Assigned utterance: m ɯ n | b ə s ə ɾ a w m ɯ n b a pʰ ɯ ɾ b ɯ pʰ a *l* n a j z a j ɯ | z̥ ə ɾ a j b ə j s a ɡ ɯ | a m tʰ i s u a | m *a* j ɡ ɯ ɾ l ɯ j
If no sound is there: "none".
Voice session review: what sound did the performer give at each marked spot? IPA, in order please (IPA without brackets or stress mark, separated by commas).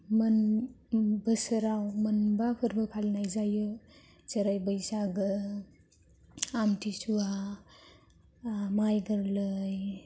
l, a